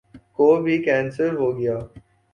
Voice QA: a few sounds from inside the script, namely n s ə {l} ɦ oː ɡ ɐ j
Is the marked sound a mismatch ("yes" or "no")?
yes